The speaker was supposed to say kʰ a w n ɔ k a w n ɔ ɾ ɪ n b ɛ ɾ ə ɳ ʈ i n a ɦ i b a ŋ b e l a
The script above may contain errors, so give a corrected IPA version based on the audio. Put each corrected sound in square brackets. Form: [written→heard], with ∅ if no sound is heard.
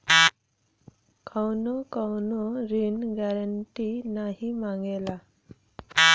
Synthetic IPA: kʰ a w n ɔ k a w n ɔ ɾ [ɪ→i] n [b→ɡ] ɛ ɾ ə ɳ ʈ i n a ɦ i [b→m] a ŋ [b→ɡ] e l a